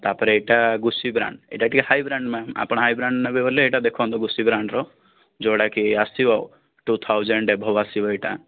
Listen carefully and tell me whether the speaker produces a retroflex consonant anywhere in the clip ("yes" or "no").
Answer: yes